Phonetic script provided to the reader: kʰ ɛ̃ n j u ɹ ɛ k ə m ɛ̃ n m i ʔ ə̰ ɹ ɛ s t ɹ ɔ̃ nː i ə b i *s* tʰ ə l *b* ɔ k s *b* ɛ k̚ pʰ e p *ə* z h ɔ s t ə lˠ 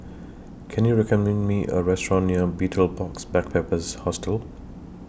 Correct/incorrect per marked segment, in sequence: incorrect: none, correct, correct, correct

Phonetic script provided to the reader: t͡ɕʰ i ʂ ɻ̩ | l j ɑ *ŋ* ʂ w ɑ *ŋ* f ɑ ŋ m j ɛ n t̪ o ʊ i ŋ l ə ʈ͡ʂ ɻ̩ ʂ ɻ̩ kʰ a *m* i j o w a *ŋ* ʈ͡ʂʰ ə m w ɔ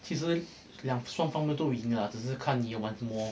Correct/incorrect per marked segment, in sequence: correct, correct, incorrect: n, incorrect: n

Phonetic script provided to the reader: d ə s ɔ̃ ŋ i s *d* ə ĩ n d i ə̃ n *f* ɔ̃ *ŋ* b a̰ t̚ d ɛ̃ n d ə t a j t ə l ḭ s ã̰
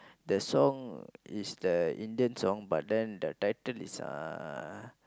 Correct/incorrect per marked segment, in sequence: correct, incorrect: s, correct

